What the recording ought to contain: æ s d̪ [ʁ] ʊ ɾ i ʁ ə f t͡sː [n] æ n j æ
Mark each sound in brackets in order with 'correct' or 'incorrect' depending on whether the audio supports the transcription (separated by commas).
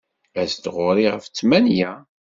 correct, incorrect